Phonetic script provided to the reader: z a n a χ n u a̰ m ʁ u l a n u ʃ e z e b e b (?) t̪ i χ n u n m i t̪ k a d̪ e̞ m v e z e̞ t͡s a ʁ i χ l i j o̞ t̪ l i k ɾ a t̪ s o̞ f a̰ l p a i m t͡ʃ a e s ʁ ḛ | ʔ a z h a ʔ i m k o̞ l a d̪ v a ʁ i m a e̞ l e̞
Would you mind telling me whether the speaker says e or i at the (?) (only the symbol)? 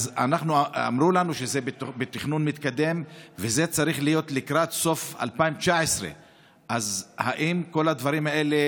e